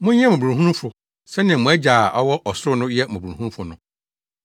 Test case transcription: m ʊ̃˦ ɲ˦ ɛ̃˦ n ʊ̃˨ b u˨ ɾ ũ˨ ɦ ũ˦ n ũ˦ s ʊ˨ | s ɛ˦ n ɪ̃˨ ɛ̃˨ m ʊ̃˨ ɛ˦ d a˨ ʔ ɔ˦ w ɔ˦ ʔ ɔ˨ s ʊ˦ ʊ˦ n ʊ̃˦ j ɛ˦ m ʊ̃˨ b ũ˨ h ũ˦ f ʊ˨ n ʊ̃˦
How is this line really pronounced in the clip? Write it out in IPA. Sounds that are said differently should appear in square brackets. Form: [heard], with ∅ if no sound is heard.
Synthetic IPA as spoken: m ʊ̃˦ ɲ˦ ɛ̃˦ [m] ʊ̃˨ b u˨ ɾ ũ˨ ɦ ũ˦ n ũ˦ [f] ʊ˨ | s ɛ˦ n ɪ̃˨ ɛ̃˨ m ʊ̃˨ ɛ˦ [d͡ʑ] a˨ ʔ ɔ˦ w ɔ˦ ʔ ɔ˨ s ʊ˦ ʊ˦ n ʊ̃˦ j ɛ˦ m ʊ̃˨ b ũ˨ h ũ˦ f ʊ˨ n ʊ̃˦